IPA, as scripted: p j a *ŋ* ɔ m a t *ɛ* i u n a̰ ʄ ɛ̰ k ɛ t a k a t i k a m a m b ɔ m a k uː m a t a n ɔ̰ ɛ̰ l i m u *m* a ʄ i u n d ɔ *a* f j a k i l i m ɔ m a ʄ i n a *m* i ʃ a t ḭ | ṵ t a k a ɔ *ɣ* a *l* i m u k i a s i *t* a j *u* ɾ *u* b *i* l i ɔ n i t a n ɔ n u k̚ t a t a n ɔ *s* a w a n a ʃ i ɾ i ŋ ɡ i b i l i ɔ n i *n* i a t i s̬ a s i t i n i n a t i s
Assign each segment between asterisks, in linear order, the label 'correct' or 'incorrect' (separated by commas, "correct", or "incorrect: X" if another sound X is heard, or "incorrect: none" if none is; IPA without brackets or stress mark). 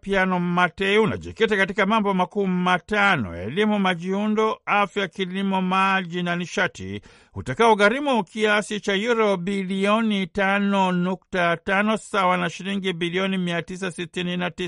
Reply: incorrect: n, correct, correct, correct, incorrect: n, correct, incorrect: ɾ, incorrect: t͡ʃ, correct, incorrect: ɔ, correct, correct, incorrect: m